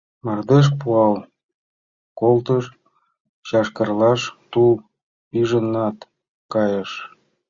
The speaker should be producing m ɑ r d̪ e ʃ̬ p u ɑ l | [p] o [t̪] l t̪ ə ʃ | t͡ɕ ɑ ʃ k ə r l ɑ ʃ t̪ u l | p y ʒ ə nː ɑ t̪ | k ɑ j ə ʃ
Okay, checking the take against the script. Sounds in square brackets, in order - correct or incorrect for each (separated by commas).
incorrect, incorrect